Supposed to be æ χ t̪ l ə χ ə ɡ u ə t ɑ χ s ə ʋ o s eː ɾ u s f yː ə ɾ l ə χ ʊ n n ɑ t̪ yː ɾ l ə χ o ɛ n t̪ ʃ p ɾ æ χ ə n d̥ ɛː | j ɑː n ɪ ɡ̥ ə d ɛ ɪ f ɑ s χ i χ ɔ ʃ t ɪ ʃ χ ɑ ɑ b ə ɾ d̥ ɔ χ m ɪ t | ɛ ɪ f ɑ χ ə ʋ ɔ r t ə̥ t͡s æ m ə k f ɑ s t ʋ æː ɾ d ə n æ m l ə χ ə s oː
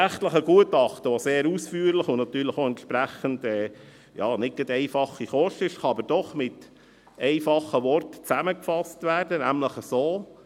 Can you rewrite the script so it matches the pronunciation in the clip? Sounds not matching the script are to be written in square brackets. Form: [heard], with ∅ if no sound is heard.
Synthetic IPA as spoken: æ χ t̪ l ə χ ə ɡ u ə t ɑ χ [t] ə ʋ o s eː ɾ u s f yː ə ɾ l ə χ ʊ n n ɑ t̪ yː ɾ l ə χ o ɛ n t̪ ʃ p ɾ æ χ ə n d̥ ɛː | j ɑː n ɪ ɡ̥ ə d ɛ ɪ f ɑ [∅] χ i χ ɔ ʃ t ɪ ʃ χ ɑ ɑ b ə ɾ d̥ ɔ χ m ɪ t | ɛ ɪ f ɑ χ ə ʋ ɔ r t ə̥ t͡s æ m ə k f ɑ s t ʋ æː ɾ d ə n æ m l ə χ ə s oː